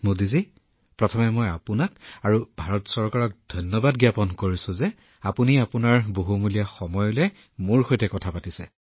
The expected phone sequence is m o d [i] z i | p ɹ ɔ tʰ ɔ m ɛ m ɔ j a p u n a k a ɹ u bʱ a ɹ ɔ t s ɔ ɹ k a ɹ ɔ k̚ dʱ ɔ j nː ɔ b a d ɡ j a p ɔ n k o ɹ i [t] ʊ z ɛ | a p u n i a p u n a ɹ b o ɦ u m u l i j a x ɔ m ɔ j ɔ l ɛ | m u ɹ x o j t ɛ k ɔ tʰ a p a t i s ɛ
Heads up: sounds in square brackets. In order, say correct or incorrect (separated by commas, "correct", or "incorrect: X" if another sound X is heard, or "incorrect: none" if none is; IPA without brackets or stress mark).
correct, incorrect: s